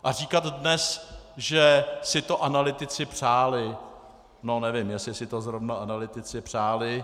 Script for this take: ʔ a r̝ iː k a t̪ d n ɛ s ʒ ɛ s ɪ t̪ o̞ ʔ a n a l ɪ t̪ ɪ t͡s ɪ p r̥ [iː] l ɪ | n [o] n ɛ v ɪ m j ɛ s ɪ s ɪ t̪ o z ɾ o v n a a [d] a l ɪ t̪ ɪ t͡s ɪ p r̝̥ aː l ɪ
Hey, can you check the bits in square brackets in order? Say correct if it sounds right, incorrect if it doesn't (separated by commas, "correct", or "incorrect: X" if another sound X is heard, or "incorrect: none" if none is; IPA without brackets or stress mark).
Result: incorrect: aː, correct, incorrect: n